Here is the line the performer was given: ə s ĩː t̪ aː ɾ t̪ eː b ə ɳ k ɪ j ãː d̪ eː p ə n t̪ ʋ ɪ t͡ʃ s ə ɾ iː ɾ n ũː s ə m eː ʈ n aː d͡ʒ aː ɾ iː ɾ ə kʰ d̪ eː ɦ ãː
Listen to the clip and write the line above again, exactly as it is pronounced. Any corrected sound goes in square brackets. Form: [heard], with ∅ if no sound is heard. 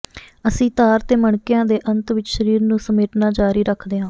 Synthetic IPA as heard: ə s ĩː t̪ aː ɾ t̪ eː [m] ə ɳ k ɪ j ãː d̪ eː [ʔ] ə n t̪ ʋ ɪ t͡ʃ [ʃ] ə ɾ iː ɾ n ũː s ə m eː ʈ n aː d͡ʒ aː ɾ iː ɾ ə kʰ d̪ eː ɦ ãː